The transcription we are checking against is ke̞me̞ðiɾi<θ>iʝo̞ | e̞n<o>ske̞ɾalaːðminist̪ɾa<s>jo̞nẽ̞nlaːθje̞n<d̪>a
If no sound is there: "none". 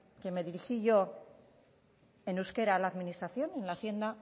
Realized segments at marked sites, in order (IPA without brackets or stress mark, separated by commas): x, u, θ, d̪